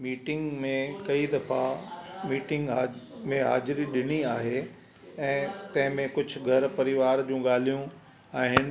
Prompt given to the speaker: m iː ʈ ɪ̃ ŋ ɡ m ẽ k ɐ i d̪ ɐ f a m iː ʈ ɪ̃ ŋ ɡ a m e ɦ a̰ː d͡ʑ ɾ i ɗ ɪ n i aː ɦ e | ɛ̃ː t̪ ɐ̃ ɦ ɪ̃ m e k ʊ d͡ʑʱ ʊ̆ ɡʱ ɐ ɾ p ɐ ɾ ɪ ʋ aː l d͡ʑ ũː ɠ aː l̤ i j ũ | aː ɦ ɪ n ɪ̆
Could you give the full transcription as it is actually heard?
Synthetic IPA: m iː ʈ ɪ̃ ŋ ɡ m ẽ k ɐ i d̪ ɐ f a m iː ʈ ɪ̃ ŋ ɡ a m ẽ ɦ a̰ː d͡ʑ ɾ i ɗ ɪ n i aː ɦ e | ɛ̃ː t̪ ɐ̃ ɦ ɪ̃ m ẽ k ʊ d͡ʑʱ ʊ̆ ɡʱ ɐ ɾ p ɐ ɾ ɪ ʋ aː ɾ d͡ʑ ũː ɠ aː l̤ i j ũ | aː ɦ ɪ n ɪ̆

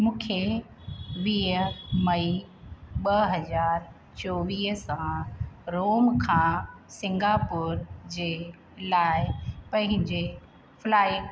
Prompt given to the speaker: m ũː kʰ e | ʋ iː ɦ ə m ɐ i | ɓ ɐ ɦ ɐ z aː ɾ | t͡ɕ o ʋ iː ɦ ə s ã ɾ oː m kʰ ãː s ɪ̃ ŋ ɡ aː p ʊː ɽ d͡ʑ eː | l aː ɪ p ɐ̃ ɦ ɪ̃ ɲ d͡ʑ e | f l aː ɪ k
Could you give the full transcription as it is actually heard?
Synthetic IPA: m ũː kʰ e | ʋ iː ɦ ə m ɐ i | ɓ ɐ ɦ ɐ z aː ɾ | t͡ɕ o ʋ iː ɦ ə s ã ɾ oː m kʰ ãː s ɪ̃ ŋ ɡ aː p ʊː ɾ d͡ʑ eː | l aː ɪ p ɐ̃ ɦ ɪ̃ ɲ d͡ʑ e | f l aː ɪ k

